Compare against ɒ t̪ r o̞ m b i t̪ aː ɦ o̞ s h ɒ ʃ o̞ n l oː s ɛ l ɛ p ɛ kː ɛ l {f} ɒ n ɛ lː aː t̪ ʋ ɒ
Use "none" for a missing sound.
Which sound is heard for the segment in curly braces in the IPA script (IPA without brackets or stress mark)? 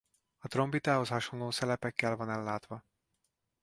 v